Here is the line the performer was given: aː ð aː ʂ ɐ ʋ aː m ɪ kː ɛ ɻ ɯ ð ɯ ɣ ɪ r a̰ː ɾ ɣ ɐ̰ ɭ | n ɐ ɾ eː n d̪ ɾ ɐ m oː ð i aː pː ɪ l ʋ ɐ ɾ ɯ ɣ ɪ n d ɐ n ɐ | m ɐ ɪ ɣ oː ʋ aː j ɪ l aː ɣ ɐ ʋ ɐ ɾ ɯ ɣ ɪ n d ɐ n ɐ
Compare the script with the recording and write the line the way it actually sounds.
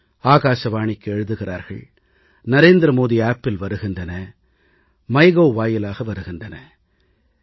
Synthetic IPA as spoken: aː ɣ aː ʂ ɐ ʋ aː ɳ ɪ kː ɛ ɻ ɯ ð ɯ ɣ ɪ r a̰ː ɾ ɣ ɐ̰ ɭ | n ɐ ɾ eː n d̪ ɾ ɐ m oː ð i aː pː ɪ l ʋ ɐ ɾ ɯ ɣ ɪ n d ɐ n ɐ | m ɐ ɪ ɣ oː ʋ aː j ɪ l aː ɣ ɐ ʋ ɐ ɾ ɯ ɣ ɪ n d ɐ n ɐ

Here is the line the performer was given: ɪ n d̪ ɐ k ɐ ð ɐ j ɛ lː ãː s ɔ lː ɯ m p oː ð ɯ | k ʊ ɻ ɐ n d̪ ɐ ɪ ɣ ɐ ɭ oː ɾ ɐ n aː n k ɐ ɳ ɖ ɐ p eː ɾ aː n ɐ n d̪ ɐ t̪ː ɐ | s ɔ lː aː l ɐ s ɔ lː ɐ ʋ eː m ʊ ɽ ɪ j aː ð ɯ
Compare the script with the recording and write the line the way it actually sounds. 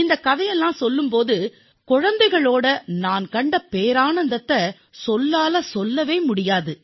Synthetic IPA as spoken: ɪ n d̪ ɐ k ɐ ð ɐ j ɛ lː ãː s ɔ lː ɯ m p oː ð ɯ | k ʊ ɻ ɐ n d̪ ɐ ɪ ɣ ɐ ɭ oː ɽ ɐ n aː n k ɐ ɳ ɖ ɐ p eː ɾ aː n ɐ n d̪ ɐ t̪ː ɐ | s ɔ lː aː l ɐ s ɔ lː ɐ ʋ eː m ʊ ɽ ɪ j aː ð ɯ

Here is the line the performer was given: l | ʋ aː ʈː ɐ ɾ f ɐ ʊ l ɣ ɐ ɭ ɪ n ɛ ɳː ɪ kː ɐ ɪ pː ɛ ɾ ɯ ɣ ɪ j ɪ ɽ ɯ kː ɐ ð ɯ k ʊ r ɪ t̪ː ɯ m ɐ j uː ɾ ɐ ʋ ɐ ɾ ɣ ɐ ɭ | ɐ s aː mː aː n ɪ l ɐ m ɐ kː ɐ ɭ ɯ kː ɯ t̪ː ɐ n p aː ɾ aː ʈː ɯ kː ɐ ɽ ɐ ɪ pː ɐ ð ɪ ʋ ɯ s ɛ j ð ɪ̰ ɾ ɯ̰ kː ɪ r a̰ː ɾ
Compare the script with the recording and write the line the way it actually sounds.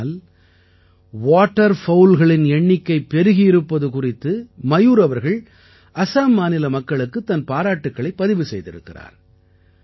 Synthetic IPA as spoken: l | ʋ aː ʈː ɐ ɾ f ɐ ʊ l ɣ ɐ ɭ ɪ n ɛ ɳː ɪ kː ɐ ɪ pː ɛ ɾ ɯ ɣ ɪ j ɪ ɾ ɯ pː ɐ ð ɯ k ʊ r ɪ t̪ː ɯ m ɐ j uː ɾ ɐ ʋ ɐ ɾ ɣ ɐ ɭ | ɐ s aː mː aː n ɪ l ɐ m ɐ kː ɐ ɭ ɯ kː ɯ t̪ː ɐ n p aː ɾ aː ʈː ɯ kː ɐ ɭ ɐ ɪ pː ɐ ð ɪ ʋ ɯ s ɛ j ð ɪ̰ ɾ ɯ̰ kː ɪ r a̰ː ɾ

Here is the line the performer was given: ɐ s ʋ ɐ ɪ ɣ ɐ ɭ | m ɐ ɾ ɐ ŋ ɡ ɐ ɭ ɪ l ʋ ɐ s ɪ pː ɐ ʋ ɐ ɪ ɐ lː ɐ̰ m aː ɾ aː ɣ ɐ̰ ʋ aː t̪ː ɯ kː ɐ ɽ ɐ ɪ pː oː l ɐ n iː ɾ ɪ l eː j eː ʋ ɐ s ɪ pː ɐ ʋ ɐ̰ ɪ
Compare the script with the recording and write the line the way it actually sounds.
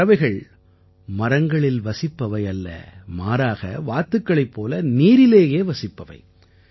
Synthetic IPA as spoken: ɐ ʋ ɐ ɪ ɣ ɐ ɭ | m ɐ ɾ ɐ ŋ ɡ ɐ ɭ ɪ l ʋ ɐ s ɪ pː ɐ ʋ ɐ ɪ ɐ lː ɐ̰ m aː ɾ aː ɣ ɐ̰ ʋ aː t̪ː ɯ kː ɐ ɭ ɐ ɪ pː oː l ɐ n iː ɾ ɪ l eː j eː ʋ ɐ s ɪ pː ɐ ʋ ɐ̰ ɪ

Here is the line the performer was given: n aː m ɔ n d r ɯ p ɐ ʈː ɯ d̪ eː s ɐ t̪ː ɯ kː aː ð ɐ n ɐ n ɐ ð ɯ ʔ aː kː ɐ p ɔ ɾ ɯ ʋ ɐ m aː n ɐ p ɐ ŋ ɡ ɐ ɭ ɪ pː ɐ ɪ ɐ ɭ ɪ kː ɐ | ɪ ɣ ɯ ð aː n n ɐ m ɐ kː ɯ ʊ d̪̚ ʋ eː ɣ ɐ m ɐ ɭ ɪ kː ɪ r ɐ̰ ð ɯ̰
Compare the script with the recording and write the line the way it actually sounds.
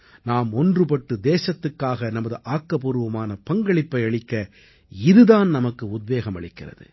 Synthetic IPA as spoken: n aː m ɔ n d r ɯ p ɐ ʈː ɯ d̪ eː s ɐ t̪ː ɯ kː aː ɣ ɐ n ɐ m ɐ ð ɯ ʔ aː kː ɐ p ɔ ɾ ɯ ʋ ɐ m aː n ɐ p ɐ ŋ ɡ ɐ ɭ ɪ pː ɐ ɪ ɐ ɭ ɪ kː ɐ | ɪ ð ɯ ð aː n n ɐ m ɐ kː ɯ ʊ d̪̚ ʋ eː ɣ ɐ m ɐ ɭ ɪ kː ɪ r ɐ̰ ð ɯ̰

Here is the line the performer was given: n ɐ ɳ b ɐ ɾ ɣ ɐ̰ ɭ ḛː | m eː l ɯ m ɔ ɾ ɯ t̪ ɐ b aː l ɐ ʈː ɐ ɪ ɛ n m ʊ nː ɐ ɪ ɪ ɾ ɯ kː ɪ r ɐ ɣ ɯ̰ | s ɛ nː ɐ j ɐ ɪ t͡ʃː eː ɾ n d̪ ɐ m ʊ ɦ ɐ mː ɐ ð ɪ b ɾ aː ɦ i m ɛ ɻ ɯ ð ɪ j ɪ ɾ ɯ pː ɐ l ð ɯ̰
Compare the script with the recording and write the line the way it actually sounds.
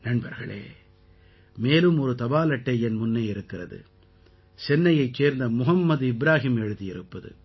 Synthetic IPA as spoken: n ɐ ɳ b ɐ ɾ ɣ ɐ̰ ɭ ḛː | m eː l ɯ m ɔ ɾ ɯ t̪ ɐ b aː l ɐ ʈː ɐ ɪ ɛ n m ʊ nː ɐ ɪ ɪ ɾ ɯ kː ɪ r ɐ ð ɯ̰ | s ɛ nː ɐ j ɐ ɪ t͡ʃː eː ɾ n d̪ ɐ m ʊ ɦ ɐ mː ɐ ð ɪ b ɾ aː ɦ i m ɛ ɻ ɯ ð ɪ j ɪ ɾ ɯ pː ɐ ð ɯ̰

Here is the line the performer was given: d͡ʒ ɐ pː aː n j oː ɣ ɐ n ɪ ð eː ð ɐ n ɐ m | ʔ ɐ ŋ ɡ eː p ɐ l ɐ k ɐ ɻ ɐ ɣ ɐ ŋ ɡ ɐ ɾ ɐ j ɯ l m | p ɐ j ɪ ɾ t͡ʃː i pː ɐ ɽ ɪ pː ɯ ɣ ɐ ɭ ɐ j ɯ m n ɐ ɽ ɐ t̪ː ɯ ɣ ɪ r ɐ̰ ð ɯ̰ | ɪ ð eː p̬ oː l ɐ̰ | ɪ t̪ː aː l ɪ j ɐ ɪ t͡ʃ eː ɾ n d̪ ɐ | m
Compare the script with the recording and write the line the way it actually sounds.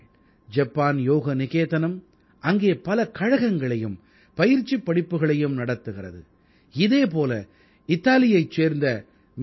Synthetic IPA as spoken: d͡ʒ ɐ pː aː n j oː ɣ ɐ n ɪ ɣ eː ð ɐ n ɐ m | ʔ ɐ ŋ ɡ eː p ɐ l ɐ k ɐ ɻ ɐ ɣ ɐ ŋ ɡ ɐ ɭ ɐ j ɯ m | p ɐ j ɪ ɾ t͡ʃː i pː ɐ ɽ ɪ pː ɯ ɣ ɐ ɭ ɐ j ɯ m n ɐ ɽ ɐ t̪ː ɯ ɣ ɪ r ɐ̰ ð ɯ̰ | ɪ ð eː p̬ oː l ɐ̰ | ɪ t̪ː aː l ɪ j ɐ ɪ t͡ʃ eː ɾ n d̪ ɐ | m

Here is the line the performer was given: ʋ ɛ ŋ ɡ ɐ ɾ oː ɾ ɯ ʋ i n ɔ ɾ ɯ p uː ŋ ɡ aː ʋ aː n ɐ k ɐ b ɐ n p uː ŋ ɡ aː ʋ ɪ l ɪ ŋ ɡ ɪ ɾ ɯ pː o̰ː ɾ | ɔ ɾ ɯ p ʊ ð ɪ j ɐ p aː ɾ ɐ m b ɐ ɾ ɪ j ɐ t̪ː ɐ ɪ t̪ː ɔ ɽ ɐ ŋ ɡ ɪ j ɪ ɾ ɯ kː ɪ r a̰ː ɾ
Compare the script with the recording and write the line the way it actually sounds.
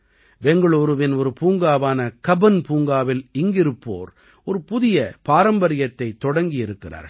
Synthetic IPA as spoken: ʋ ɛ ŋ ɡ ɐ ɭ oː ɾ ɯ ʋ ɪ n ɔ ɾ ɯ p uː ŋ ɡ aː ʋ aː n ɐ k ɐ b ɐ n p uː ŋ ɡ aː ʋ ɪ l ɪ ŋ ɡ ɪ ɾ ɯ pː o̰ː ɾ | ɔ ɾ ɯ p ʊ ð ɪ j ɐ p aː ɾ ɐ m b ɐ ɾ ɪ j ɐ t̪ː ɐ ɪ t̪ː ɔ ɽ ɐ ŋ ɡ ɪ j ɪ ɾ ɯ kː ɪ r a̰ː ɾ

